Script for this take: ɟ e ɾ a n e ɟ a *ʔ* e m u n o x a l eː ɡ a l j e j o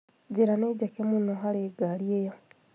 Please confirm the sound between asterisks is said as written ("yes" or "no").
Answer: no